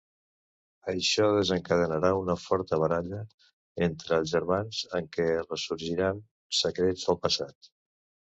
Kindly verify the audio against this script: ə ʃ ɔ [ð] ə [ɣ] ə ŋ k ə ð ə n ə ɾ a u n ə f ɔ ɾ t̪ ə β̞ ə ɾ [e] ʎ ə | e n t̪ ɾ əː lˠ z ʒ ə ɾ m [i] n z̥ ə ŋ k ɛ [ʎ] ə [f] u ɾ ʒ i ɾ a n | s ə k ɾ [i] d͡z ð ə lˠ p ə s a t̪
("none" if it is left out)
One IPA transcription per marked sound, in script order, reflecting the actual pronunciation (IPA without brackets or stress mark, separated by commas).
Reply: ð, z, a, a, r, s, e